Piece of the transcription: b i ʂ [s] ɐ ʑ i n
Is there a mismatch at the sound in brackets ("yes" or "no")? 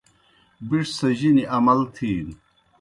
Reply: no